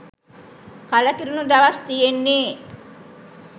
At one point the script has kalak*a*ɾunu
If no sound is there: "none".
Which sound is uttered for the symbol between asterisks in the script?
i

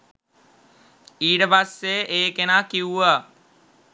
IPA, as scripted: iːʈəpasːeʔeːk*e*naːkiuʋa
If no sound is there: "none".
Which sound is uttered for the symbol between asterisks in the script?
e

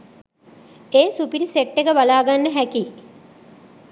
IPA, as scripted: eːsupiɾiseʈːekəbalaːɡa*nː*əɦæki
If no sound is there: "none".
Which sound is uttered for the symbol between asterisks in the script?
nː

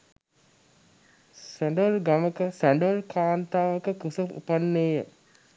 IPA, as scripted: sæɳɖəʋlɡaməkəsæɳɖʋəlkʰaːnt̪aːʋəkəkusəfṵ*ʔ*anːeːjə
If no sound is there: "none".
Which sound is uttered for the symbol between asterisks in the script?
p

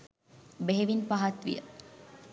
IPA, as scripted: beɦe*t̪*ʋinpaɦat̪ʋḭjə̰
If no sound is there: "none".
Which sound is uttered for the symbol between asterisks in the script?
none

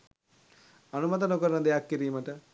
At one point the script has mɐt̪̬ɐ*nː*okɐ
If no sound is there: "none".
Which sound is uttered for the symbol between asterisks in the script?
n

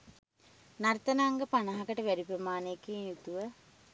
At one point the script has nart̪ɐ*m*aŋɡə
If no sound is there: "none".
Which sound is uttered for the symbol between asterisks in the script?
n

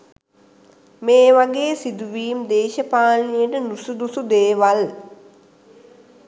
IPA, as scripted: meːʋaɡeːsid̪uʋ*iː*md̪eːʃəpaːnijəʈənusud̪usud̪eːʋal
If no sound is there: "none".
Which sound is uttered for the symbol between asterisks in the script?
iː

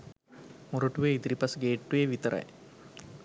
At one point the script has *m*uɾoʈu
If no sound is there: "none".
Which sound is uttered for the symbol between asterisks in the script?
m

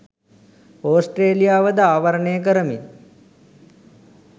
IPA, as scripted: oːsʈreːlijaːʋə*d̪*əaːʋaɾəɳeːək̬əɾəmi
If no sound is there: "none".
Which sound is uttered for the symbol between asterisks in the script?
d̪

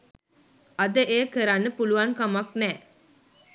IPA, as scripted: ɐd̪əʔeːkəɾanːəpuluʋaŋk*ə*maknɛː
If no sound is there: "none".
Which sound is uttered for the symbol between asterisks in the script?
a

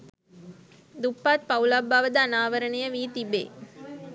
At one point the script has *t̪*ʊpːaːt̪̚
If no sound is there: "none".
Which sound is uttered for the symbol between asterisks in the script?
d̪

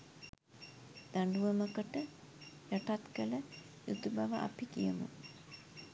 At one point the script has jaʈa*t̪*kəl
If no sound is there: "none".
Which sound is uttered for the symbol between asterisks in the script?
t̪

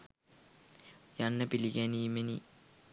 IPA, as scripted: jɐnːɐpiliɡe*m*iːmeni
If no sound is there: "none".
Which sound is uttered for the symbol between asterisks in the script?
n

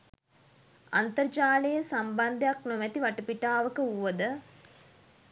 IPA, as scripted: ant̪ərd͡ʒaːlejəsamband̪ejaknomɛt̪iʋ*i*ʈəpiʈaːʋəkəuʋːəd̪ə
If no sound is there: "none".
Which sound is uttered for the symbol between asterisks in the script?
a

